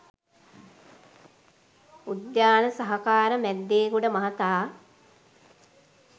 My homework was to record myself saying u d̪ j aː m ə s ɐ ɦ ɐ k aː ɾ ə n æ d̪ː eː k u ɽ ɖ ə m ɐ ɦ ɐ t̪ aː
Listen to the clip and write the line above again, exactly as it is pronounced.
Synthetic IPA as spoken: u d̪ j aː n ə s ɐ ɦ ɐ k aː ɾ ə m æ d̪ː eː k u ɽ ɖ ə m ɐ ɦ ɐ t̪ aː

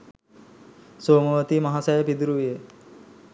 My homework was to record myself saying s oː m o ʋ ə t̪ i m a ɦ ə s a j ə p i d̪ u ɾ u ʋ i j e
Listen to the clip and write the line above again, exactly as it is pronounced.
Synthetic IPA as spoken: s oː m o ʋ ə t̪ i m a ɦ a s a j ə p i d̪ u ɾ u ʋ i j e

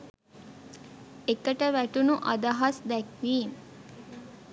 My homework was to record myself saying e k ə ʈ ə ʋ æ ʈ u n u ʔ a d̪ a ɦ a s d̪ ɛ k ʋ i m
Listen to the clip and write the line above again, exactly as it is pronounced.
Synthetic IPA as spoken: e k ə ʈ ə ʋ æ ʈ u n u ʔ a d̪ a ɦ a s d̪ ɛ k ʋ iː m

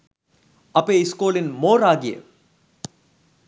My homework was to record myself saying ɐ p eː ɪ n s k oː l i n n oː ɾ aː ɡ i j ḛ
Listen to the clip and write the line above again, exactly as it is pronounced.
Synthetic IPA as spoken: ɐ p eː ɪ s k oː l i n m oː ɾ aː ɡ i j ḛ

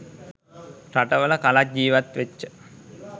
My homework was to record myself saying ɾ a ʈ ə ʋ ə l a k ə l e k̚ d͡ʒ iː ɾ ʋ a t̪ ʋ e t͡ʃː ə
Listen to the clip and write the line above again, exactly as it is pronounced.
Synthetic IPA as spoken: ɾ a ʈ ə ʋ ə l ə k a l a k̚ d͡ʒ iː ʋ a t̪ ʋ e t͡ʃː ə

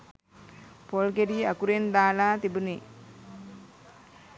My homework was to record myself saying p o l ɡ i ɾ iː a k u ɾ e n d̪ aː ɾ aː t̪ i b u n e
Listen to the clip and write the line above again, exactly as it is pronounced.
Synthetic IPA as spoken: p o l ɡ e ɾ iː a k u ɾ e n d̪ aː l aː t̪ i b u n e

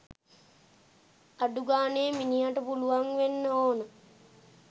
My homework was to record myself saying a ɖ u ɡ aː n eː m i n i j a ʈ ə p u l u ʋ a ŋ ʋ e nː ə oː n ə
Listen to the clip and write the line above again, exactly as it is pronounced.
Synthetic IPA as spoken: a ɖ u ɡ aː n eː m i n i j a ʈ ə p u l u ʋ a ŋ ʋ e nː ə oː n ə

